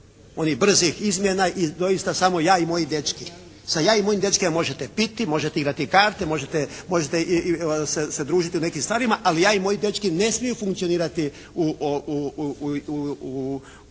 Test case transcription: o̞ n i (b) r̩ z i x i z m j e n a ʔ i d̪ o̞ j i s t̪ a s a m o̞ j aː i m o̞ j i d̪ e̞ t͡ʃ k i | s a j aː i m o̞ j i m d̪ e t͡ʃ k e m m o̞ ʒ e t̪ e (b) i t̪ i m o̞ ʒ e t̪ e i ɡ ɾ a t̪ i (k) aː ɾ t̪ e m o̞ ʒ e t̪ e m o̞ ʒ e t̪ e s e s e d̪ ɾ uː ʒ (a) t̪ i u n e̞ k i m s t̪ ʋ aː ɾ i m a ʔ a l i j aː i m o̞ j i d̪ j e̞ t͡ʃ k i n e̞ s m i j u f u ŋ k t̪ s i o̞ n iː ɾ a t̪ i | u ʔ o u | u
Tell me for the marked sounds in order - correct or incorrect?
correct, incorrect, correct, incorrect

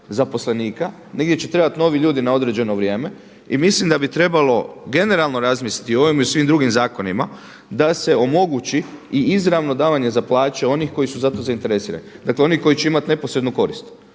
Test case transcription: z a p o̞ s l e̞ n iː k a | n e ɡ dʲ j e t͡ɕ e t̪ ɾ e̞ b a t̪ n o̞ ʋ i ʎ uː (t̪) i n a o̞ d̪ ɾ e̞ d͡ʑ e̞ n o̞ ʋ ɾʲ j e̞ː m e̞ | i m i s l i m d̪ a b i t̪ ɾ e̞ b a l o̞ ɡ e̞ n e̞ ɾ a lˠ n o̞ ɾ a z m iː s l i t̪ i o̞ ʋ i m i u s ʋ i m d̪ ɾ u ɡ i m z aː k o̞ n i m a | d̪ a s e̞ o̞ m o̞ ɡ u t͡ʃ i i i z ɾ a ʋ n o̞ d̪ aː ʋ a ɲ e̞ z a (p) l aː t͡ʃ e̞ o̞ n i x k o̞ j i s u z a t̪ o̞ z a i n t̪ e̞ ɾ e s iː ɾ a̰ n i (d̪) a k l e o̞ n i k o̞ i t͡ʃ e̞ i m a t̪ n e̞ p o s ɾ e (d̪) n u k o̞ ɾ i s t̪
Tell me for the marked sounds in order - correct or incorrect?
incorrect, correct, correct, correct

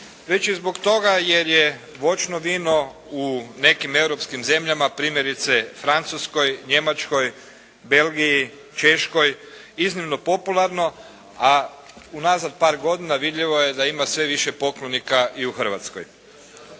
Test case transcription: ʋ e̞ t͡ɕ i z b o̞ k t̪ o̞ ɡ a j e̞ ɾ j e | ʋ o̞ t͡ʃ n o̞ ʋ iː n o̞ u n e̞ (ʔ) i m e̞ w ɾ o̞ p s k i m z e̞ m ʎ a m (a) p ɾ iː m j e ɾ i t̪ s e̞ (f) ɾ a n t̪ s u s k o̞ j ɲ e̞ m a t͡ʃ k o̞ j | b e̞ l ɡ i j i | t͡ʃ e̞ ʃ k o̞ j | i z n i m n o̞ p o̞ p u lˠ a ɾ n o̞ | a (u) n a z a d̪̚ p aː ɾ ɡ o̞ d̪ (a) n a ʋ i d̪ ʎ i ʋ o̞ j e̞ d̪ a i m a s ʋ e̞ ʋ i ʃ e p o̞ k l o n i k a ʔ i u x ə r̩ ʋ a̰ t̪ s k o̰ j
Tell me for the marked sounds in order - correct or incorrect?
incorrect, correct, correct, correct, incorrect

